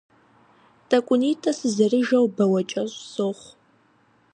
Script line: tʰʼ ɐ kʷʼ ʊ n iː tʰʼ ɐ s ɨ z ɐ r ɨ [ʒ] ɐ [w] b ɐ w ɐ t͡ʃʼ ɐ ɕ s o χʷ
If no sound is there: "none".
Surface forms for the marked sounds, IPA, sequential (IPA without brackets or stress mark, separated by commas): ʒ, w